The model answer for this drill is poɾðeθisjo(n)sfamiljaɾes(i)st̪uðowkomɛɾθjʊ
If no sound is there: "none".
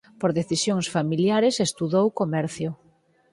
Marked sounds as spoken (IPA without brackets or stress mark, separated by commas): ŋ, e